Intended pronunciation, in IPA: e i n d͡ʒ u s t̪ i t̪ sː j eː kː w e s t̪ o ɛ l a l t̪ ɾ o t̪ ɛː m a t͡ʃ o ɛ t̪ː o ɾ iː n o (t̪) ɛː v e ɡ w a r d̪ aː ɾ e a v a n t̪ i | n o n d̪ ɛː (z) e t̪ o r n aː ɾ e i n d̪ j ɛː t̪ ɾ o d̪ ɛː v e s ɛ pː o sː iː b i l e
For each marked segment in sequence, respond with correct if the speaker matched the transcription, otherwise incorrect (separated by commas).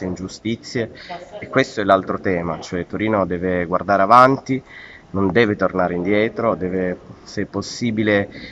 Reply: incorrect, incorrect